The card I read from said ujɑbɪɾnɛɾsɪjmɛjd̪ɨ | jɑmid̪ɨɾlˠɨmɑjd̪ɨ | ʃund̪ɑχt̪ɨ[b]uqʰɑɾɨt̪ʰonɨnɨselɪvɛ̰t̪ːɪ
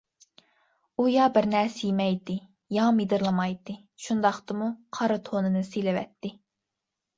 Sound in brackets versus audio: incorrect: m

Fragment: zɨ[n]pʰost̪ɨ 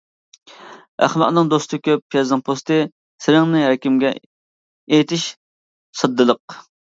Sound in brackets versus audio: incorrect: ŋ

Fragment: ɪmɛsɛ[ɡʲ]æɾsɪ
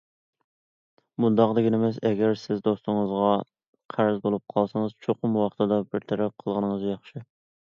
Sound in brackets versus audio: correct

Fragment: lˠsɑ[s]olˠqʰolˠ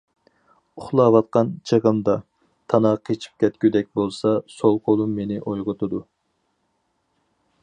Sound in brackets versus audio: correct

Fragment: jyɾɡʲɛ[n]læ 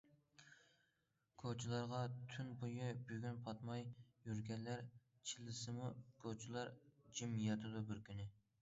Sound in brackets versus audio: correct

